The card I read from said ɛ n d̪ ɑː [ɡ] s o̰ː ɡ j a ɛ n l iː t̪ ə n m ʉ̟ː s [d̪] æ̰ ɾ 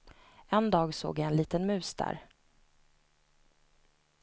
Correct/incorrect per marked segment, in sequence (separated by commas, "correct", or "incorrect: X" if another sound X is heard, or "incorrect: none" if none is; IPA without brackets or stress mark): correct, correct